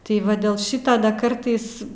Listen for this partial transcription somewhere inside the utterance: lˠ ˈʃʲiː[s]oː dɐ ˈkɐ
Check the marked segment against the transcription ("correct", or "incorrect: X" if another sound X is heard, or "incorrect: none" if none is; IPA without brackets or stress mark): incorrect: t